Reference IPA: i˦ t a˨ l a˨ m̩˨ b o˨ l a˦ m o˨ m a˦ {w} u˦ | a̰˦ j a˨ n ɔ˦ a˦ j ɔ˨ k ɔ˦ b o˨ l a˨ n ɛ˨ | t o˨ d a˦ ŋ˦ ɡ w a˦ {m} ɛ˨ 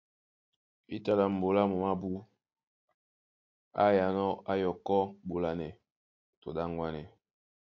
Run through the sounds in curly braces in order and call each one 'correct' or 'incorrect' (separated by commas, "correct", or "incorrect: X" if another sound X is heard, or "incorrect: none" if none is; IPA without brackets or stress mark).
incorrect: b, incorrect: n